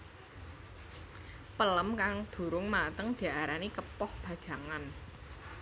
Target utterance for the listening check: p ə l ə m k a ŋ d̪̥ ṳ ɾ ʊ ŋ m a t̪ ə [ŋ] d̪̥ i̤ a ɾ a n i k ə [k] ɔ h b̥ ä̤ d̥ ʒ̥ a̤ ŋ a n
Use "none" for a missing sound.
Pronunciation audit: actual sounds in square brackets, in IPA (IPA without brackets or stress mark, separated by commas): ŋ, p